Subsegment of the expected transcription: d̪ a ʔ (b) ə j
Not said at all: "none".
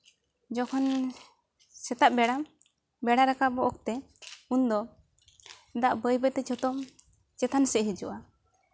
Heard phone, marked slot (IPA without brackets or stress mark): b